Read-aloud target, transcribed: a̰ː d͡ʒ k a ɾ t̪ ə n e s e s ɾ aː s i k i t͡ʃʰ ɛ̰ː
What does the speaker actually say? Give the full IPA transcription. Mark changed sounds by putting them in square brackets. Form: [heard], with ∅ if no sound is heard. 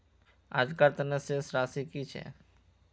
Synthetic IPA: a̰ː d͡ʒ k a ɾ t̪ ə n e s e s ɾ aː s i k i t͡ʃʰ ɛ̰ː